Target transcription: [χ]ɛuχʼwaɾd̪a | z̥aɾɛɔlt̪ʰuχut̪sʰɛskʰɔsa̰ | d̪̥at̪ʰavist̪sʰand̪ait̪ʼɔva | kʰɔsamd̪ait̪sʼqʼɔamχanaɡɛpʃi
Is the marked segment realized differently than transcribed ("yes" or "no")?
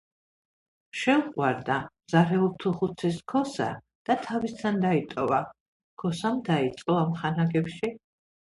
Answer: yes